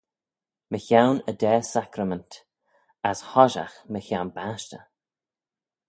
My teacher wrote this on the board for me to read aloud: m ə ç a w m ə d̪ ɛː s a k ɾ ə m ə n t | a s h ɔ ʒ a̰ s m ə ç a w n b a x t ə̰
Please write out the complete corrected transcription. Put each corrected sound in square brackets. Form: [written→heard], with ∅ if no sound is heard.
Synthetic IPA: m ə ç a w [m→n] ə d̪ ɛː s a k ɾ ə m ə n t | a s h ɔ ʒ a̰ [s→x] m ə ç a w n b a [x→ʃ] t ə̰